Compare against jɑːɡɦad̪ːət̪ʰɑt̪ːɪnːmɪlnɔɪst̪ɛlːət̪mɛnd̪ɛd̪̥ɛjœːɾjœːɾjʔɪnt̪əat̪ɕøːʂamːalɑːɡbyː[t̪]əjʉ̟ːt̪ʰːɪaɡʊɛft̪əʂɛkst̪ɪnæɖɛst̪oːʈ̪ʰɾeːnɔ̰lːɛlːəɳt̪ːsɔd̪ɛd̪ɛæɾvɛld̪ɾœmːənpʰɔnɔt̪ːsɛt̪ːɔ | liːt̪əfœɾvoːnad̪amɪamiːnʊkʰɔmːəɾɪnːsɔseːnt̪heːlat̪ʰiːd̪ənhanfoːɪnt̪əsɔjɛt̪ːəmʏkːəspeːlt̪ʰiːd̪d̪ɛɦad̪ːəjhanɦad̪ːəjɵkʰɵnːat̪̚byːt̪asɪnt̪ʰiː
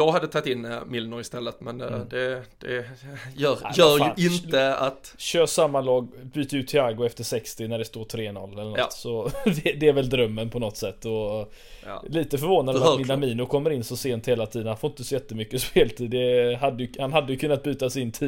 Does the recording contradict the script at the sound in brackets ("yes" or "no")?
no